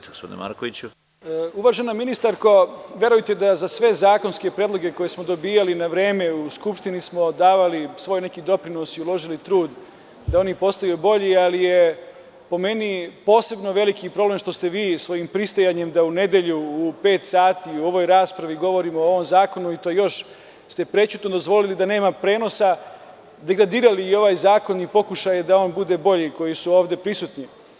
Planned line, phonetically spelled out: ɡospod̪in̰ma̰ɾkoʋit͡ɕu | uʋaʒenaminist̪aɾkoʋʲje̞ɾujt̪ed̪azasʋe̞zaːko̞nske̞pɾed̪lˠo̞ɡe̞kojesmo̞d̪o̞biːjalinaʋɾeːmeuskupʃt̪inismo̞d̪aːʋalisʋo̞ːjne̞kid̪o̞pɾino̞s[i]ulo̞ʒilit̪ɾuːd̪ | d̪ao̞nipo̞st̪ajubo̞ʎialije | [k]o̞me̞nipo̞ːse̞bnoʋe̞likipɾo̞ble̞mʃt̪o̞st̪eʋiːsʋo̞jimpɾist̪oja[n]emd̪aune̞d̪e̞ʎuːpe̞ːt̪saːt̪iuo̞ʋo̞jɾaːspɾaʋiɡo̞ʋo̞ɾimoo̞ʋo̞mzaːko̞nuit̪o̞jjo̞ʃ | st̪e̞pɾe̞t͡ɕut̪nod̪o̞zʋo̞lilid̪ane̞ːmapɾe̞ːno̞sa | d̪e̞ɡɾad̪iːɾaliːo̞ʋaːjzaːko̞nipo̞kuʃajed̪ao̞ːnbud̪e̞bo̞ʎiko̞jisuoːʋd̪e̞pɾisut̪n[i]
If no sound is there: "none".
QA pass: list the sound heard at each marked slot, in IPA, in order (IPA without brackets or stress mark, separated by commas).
i, p, ɲ, i